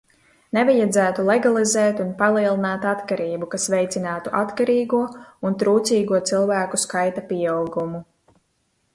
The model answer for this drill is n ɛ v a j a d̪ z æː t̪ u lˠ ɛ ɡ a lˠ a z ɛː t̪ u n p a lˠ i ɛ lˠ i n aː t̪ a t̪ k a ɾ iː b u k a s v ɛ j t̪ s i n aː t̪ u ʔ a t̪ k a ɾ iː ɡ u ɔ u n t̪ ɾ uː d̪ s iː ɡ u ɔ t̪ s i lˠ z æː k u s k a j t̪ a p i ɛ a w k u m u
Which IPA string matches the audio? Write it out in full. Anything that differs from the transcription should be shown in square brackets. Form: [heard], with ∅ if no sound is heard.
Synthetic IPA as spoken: n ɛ v a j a d̪ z æː t̪ u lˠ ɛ ɡ a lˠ [i] z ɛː t̪ u n p a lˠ i ɛ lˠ i n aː t̪ a t̪ k a ɾ iː b u k a s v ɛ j t̪ s i n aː t̪ u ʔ a t̪ k a ɾ iː ɡ u ɔ u n t̪ ɾ uː [t̪] s iː ɡ u ɔ t̪ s i lˠ [v] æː k u s k a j t̪ a p i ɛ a w [ɡ] u m u